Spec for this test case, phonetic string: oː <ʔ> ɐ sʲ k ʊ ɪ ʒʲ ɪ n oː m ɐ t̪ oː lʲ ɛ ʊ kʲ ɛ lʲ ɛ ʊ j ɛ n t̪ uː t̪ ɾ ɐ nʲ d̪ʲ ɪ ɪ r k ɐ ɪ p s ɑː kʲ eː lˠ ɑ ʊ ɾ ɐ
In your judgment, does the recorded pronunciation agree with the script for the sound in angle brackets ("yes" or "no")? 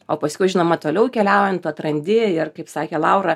no